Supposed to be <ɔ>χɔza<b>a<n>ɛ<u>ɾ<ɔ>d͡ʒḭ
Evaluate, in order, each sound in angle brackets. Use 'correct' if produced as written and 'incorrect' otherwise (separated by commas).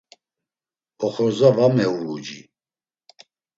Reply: correct, incorrect, incorrect, correct, incorrect